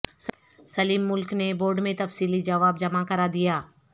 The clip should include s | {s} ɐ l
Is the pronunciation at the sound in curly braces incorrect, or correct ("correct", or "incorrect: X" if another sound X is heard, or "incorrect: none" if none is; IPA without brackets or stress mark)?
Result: correct